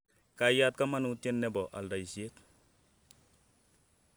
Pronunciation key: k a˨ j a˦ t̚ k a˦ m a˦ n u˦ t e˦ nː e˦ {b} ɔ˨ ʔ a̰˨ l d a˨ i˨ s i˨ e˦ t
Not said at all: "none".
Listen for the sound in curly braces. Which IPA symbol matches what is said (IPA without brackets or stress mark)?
b